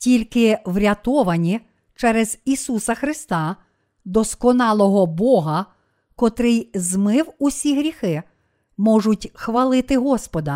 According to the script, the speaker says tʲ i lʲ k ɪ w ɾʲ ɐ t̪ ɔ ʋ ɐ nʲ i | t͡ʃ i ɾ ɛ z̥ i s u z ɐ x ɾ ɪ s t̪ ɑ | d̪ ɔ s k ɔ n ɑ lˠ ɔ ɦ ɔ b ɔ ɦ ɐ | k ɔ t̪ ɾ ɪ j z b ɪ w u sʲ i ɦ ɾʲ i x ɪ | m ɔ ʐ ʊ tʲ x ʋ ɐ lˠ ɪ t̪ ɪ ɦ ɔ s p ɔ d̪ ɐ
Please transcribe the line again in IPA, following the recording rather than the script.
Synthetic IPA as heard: tʲ i lʲ k ɪ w ɾʲ ɐ t̪ ɔ ʋ ɐ nʲ i | t͡ʃ ɛ ɾ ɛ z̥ i s u s ɐ x ɾ ɪ s t̪ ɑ | d̪ ɔ s k ɔ n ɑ lˠ ɔ ɦ ɔ b ɔ ɦ ɐ | k ɔ t̪ ɾ ɪ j z m ɪ w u sʲ i ɦ ɾʲ i x ɪ | m ɔ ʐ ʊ tʲ x ʋ ɐ lˠ ɪ t̪ ɪ ɦ ɔ s p ɔ d̪ ɐ